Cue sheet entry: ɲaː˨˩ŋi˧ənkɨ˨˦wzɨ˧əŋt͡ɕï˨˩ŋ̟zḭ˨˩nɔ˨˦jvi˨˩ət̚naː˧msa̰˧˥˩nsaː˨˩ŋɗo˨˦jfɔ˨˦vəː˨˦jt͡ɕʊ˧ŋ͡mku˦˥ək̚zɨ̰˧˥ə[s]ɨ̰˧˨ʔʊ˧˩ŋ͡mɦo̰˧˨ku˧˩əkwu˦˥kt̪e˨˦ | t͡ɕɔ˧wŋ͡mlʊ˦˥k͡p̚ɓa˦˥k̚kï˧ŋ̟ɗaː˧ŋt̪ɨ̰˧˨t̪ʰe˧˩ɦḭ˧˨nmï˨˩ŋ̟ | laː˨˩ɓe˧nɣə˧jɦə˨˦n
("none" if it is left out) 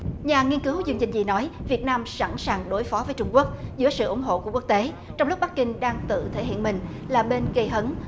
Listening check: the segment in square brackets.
s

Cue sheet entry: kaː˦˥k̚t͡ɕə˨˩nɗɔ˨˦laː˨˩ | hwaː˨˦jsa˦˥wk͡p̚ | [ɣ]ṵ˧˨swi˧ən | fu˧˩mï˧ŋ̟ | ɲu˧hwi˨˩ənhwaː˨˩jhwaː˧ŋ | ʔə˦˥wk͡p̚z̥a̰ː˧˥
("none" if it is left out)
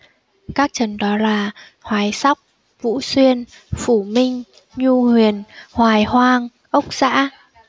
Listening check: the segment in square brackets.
v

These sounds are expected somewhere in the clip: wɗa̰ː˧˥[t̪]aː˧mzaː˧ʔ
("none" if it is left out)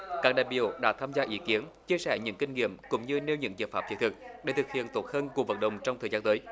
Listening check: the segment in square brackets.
t̪ʰ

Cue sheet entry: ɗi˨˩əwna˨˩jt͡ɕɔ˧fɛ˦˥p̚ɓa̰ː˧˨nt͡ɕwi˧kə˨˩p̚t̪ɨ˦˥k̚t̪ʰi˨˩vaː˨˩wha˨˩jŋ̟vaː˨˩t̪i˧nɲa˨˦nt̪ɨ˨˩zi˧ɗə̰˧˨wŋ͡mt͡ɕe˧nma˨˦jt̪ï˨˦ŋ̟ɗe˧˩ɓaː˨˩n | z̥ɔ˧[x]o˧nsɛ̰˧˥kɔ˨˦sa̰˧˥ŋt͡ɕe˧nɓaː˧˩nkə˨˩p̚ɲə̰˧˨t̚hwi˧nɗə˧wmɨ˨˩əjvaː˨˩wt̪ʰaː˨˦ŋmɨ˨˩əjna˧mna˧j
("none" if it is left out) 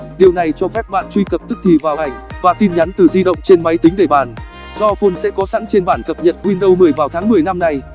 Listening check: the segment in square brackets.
f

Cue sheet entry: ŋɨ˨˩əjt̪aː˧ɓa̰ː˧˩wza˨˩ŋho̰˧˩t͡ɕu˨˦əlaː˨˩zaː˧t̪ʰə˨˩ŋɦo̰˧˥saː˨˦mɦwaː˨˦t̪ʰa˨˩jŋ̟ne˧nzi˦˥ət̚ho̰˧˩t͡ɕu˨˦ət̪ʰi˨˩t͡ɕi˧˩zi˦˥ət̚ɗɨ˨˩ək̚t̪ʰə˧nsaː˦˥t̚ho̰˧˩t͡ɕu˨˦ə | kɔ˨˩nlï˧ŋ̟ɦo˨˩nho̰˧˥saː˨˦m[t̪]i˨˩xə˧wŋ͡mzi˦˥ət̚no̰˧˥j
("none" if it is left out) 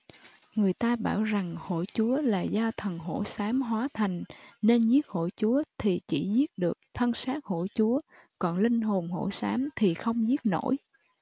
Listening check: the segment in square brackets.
t̪ʰ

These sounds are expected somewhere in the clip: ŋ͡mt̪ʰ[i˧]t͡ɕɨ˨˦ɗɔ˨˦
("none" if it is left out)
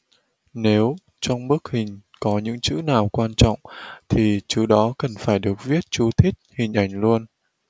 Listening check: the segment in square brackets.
i˨˩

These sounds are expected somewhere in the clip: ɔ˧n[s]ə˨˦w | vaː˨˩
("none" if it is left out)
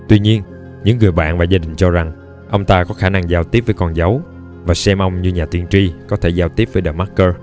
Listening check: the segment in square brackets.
z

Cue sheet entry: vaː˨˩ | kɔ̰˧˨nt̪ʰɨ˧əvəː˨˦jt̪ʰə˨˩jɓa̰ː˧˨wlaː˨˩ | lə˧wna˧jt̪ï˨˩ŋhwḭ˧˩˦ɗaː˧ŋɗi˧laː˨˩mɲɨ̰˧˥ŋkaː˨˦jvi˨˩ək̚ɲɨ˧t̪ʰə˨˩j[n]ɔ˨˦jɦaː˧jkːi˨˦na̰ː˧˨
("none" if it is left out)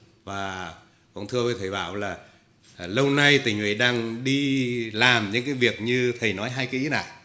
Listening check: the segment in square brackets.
n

